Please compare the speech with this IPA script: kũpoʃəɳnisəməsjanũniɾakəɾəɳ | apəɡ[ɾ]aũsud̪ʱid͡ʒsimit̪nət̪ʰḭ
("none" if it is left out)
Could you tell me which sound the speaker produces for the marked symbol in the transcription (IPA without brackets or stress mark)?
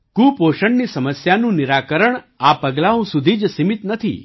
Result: l